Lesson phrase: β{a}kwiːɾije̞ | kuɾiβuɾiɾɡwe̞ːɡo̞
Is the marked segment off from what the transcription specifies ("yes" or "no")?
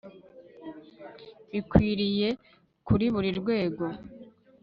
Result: yes